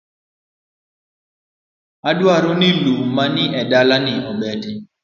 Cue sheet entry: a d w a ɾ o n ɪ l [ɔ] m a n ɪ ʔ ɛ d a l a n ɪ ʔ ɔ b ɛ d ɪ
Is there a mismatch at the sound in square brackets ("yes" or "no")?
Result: yes